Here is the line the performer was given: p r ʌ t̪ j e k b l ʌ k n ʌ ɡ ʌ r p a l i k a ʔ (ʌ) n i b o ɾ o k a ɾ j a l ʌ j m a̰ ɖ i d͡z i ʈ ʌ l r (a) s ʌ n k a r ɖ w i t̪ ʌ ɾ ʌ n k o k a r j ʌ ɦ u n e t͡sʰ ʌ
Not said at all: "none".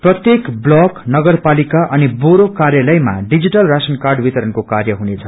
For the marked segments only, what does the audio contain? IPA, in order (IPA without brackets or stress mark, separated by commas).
ʌ, a